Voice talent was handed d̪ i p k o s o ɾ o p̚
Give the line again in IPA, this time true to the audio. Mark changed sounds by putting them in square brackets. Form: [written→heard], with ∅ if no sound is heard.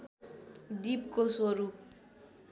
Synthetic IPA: d̪ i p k o s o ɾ [o→u] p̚